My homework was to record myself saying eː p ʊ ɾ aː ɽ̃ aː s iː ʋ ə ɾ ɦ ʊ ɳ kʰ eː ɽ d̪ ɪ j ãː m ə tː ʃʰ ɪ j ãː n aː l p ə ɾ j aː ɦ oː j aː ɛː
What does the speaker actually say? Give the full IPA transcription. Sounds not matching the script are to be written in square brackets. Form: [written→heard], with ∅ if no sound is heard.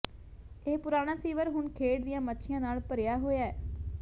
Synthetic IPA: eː p ʊ ɾ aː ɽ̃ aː s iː ʋ ə ɾ ɦ ʊ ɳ kʰ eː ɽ d̪ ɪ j ãː m ə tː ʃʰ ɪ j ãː n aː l p ə ɾ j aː ɦ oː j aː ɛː